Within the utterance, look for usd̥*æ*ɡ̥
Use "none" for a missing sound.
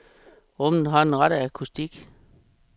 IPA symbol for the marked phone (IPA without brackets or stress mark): i